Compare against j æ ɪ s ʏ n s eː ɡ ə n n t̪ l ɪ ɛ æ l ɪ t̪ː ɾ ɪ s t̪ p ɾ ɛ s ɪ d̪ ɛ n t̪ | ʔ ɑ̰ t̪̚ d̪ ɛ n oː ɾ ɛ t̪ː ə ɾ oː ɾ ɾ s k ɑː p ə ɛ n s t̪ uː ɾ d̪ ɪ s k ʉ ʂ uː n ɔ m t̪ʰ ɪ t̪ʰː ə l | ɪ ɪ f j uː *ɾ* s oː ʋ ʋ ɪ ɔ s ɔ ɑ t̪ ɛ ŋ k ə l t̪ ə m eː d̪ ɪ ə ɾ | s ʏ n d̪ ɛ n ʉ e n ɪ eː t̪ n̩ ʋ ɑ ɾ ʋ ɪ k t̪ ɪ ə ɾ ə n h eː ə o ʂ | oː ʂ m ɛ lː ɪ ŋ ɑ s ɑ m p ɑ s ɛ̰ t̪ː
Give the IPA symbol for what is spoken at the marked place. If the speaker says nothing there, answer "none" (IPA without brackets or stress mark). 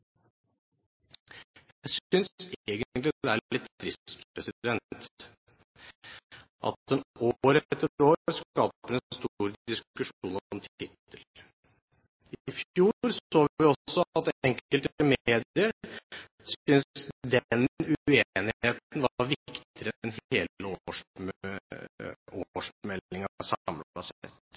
ɾ